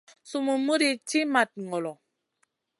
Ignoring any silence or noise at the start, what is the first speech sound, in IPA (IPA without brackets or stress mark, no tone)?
s